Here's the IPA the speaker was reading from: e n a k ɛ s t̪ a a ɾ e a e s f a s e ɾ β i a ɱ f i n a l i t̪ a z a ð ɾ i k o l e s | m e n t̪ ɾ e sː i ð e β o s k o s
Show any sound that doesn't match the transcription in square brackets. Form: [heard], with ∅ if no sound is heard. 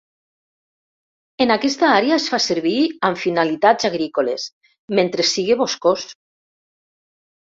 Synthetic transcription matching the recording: e n a k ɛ s t̪ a a ɾ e a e s f a s e ɾ β i a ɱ f i n a l i t̪ a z a [ɣ] ɾ i k o l e s | m e n t̪ ɾ e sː i [ɣ] e β o s k o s